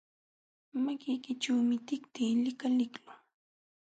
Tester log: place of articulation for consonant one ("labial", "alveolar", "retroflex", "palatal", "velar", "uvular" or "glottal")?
labial